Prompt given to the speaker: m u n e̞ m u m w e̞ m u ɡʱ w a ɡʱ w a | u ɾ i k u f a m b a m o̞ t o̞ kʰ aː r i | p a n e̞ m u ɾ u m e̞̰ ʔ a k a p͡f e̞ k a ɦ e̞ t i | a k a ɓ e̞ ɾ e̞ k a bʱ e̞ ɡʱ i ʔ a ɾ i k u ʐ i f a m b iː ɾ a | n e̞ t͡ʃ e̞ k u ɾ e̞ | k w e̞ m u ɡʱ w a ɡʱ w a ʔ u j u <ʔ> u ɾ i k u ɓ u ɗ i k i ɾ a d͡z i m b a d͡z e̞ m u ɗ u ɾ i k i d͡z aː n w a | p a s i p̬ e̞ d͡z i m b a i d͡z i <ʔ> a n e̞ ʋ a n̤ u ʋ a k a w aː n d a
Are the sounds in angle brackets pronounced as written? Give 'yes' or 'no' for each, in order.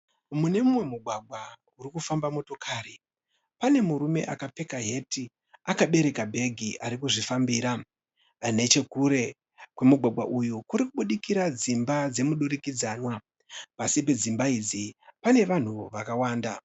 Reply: no, no

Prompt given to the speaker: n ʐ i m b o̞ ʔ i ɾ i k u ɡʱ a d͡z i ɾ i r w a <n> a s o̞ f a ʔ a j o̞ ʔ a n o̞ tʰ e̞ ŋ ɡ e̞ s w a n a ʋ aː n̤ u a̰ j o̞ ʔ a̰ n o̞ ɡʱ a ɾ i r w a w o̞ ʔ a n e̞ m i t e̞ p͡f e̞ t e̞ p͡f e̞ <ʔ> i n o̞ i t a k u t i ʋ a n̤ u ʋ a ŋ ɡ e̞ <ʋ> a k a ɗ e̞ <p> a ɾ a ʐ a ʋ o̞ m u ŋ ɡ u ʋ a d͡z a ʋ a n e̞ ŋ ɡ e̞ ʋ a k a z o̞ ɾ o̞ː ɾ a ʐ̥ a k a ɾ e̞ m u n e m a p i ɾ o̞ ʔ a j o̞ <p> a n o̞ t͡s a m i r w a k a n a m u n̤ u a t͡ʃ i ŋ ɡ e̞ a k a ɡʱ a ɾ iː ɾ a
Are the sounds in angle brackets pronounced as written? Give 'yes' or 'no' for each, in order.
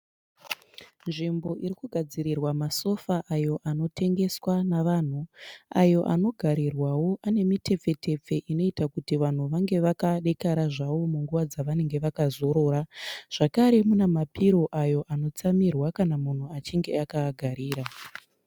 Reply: no, yes, yes, no, no

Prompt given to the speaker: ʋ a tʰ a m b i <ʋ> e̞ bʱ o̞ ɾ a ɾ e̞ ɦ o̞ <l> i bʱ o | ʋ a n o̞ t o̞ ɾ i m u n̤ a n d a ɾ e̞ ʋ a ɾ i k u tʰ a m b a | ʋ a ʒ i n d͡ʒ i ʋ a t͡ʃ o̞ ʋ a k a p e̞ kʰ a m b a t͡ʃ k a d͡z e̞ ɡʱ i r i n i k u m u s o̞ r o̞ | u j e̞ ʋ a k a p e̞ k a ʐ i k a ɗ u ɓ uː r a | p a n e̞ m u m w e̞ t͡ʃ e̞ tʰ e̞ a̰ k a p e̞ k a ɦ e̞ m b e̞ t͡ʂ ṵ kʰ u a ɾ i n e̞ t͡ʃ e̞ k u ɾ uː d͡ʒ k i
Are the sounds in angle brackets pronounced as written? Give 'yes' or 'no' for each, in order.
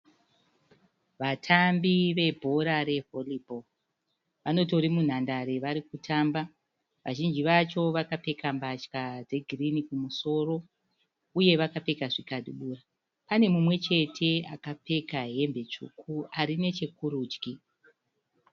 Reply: yes, yes

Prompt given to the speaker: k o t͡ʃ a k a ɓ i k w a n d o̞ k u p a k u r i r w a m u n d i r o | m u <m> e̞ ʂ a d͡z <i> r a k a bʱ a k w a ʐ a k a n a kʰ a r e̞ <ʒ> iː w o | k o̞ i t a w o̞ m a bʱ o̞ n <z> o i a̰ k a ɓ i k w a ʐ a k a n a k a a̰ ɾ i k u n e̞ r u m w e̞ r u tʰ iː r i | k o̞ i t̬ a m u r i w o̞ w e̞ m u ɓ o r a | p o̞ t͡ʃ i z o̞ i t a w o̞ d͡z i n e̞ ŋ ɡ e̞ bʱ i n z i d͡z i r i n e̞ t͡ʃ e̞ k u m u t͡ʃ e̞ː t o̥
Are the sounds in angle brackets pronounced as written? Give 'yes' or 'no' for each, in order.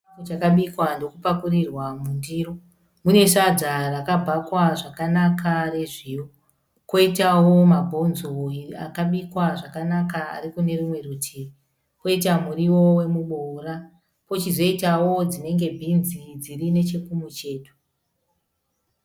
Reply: no, no, no, yes

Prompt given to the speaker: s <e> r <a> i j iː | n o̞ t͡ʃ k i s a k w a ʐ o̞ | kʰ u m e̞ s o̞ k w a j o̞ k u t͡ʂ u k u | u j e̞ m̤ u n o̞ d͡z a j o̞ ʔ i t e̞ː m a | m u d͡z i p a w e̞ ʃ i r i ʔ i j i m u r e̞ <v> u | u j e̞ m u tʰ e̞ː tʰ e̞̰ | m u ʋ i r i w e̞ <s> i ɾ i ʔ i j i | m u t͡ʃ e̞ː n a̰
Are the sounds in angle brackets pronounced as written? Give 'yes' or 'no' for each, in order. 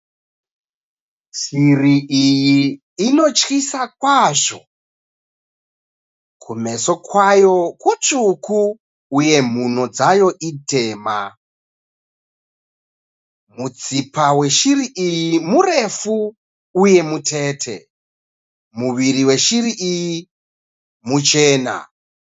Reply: no, no, no, no

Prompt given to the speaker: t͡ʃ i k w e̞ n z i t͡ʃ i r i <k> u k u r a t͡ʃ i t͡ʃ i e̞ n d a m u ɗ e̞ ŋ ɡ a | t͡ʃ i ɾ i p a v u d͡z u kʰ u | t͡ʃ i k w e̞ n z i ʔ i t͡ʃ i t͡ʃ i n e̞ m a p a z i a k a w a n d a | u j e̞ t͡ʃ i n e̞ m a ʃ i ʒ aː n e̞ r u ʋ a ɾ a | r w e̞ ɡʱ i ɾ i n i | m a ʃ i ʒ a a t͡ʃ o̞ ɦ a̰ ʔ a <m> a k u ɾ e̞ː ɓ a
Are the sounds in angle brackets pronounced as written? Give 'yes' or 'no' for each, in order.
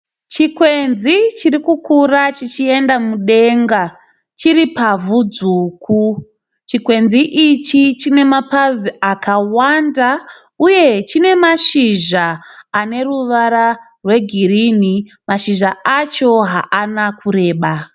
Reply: yes, no

